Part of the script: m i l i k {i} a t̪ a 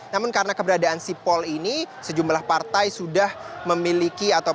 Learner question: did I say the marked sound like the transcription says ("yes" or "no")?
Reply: yes